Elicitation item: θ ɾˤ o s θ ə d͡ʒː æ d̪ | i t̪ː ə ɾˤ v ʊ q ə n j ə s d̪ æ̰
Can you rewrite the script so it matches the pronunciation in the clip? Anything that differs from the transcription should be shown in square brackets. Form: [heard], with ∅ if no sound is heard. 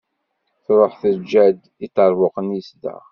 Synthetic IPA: θ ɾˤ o [ħ] θ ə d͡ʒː æ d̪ | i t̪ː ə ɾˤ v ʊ q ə n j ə s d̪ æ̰